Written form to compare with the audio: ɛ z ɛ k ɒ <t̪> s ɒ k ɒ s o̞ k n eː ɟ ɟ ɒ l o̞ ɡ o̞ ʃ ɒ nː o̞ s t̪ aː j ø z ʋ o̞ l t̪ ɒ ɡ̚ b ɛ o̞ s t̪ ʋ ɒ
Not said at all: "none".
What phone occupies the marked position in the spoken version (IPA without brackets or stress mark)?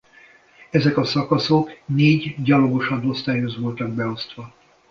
none